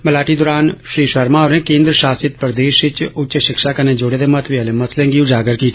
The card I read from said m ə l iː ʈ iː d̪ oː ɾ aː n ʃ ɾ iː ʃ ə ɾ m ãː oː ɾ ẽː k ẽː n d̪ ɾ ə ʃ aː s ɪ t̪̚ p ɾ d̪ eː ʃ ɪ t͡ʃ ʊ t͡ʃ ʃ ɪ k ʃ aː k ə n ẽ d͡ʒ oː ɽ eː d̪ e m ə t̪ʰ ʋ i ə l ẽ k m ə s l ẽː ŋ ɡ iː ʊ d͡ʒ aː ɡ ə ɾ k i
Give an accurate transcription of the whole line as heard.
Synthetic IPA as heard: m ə l aː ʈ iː d̪ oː ɾ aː n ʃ ɾ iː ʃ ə ɾ m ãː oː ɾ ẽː k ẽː n d̪ ɾ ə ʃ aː s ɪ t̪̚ p ɾ d̪ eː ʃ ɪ t͡ʃ ʊ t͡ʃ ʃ ɪ k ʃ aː k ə n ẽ d͡ʒ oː ɽ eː d̪ e m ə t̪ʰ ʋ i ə l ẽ m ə s l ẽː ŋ ɡ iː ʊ d͡ʒ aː ɡ ə ɾ k i